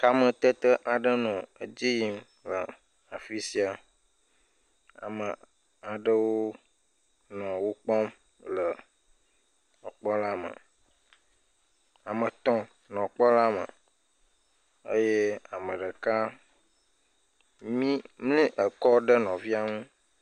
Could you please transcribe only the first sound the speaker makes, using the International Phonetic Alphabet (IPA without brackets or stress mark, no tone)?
k